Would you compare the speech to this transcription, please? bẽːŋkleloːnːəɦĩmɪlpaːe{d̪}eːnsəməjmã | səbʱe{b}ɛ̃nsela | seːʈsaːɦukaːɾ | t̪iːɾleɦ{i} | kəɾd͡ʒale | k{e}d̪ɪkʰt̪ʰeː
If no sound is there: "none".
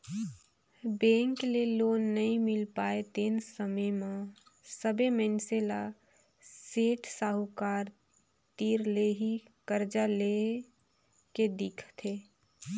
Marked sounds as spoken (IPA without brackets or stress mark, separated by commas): t̪, m, i, e